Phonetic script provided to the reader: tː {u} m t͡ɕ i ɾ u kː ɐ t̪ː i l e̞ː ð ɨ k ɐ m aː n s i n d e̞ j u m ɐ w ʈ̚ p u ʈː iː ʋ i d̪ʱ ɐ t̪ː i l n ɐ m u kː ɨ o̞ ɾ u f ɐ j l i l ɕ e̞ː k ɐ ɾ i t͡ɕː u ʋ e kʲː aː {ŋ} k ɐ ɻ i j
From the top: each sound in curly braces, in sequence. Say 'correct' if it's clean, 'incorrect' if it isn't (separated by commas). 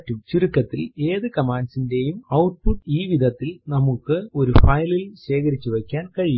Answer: correct, incorrect